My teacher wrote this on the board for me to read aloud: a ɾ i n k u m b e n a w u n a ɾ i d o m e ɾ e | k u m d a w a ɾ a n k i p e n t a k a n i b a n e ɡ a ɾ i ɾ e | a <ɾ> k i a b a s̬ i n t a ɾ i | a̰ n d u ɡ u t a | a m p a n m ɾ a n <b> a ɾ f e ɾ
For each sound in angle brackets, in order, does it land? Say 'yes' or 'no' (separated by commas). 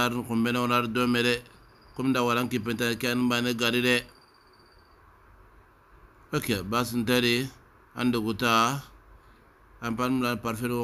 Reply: no, no